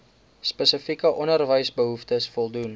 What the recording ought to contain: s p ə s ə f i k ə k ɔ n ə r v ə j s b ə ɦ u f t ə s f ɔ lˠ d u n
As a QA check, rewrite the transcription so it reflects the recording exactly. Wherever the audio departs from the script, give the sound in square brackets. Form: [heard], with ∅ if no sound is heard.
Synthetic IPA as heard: s p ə s ə f i k ə [ʔ] ɔ n ə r v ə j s b ə ɦ u f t ə s f ɔ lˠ d u n